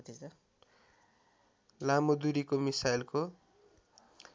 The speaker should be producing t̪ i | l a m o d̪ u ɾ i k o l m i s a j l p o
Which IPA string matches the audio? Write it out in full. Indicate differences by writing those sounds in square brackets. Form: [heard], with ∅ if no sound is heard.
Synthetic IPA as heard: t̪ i | l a m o d̪ u ɾ i k o [∅] m i s a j l [k] o